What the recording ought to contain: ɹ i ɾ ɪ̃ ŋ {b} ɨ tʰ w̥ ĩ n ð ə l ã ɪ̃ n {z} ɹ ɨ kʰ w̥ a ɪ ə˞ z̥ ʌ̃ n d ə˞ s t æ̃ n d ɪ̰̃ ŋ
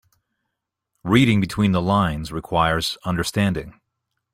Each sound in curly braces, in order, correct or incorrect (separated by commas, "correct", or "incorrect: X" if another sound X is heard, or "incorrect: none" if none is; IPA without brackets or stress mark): correct, correct